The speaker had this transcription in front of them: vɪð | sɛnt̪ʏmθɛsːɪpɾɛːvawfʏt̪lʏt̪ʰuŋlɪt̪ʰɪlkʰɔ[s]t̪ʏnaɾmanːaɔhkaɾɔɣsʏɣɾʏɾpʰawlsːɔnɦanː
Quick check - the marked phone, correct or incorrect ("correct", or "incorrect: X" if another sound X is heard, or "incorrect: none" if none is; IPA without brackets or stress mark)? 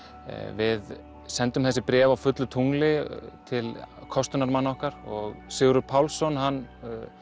correct